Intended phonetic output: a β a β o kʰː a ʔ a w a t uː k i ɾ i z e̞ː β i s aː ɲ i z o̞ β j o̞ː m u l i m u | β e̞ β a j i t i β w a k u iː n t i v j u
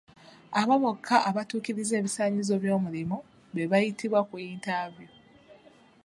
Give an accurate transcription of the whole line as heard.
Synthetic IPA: a β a β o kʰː a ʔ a β a t uː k i ɾ i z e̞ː β i s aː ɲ i z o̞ β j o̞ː m u l i m u | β e̞ β a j i t i β w a k u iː n t a v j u